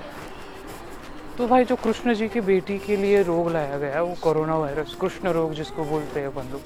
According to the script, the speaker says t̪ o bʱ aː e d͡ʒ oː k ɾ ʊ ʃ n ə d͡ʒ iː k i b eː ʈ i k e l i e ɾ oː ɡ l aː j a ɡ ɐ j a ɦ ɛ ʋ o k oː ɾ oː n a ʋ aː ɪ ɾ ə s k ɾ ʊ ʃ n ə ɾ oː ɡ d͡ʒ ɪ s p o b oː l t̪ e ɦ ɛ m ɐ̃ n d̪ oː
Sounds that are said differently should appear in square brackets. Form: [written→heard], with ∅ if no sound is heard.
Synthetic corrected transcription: t̪ o bʱ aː [e→i] d͡ʒ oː k ɾ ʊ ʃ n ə d͡ʒ iː k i b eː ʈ i k e l i e ɾ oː ɡ l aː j a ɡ ɐ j a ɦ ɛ ʋ o k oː ɾ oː n a ʋ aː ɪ ɾ ə s k ɾ ʊ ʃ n ə ɾ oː ɡ d͡ʒ ɪ s [p→k] o b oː l t̪ e ɦ ɛ [m→b] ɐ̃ n d̪ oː